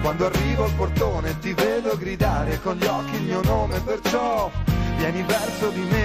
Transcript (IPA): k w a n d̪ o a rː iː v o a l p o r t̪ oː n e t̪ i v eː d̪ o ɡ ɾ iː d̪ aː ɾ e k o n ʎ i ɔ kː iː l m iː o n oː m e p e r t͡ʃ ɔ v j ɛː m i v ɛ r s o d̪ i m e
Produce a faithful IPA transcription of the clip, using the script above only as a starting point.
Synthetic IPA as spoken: k w a n d̪ o a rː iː v o a l p o r t̪ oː n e t̪ i v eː d̪ o ɡ ɾ i d̪ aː ɾ e k o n ʎ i ɔ kː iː l m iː o n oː m e p e r t͡ʃ ɔ v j ɛː n i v ɛ r s o d̪ i m e